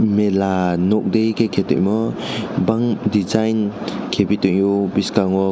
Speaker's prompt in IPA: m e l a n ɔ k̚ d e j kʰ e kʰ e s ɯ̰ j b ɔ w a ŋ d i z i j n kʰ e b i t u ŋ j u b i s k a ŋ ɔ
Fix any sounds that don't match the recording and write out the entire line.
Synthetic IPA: m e l a n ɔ k̚ d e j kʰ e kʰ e t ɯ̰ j m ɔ b a ŋ d i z a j n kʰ e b i t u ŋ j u b i s k a ŋ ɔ